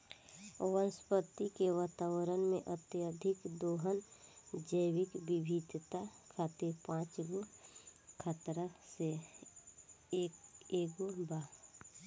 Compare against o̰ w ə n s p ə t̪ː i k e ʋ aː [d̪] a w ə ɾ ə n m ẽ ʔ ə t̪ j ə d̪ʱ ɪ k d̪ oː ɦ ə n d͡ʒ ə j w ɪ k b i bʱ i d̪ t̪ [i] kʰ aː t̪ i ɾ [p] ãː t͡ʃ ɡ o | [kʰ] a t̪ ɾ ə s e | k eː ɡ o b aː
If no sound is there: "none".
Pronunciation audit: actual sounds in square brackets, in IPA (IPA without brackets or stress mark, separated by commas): t̪, a, p, kʰ